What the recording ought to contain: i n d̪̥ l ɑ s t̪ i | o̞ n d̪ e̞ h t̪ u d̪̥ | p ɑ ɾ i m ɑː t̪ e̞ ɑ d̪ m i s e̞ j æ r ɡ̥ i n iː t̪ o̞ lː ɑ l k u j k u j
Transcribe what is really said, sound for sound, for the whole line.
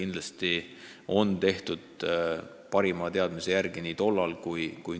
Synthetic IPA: i n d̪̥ l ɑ s t̪ i | o̞ n t̪ e̞ h t̪ u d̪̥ | p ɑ ɾ i m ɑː t̪ e̞ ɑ d̪ m i s e̞ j æ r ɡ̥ i n iː t̪ o̞ lː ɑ l k u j k u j